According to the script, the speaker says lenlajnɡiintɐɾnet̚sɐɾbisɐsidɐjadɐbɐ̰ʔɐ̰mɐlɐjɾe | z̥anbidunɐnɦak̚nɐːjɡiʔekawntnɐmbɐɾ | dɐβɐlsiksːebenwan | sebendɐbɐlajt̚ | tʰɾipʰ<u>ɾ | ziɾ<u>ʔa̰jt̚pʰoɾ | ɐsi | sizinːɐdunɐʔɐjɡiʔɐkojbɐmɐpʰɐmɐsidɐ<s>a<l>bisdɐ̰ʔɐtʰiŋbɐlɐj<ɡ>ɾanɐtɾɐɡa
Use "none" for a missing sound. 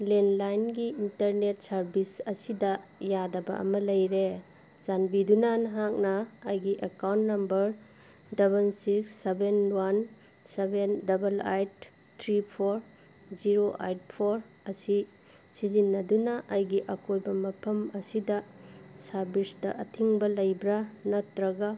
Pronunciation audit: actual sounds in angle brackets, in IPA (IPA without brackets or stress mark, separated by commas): o, o, s, ɾ, b